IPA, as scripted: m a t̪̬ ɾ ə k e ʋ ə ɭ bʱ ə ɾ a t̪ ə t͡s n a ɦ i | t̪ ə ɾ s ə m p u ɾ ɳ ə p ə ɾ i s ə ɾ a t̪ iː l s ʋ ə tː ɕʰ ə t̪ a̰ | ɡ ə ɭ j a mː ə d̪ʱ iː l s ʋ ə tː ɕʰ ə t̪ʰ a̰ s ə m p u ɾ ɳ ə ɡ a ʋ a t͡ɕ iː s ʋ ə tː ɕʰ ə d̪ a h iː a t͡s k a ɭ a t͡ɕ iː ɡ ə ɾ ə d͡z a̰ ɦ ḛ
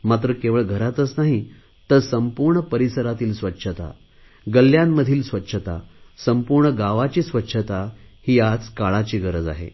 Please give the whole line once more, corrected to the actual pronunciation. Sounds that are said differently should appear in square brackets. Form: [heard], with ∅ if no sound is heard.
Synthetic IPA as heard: m a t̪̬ ɾ ə k e ʋ ə ɭ [ɡʱ] ə ɾ a t̪ ə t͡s n a ɦ i | t̪ ə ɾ s ə m p u ɾ ɳ ə p ə ɾ i s ə ɾ a t̪ iː l s ʋ ə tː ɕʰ ə t̪ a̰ | ɡ ə [l] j a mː ə d̪ʱ iː l s ʋ ə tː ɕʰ ə [t̪] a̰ s ə m p u ɾ ɳ ə ɡ a ʋ a t͡ɕ iː s ʋ ə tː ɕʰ ə [t̪] a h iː a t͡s k a ɭ a t͡ɕ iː ɡ ə ɾ ə d͡z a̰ ɦ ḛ